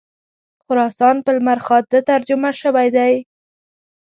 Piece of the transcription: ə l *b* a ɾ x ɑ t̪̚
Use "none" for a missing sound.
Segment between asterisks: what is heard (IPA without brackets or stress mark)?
m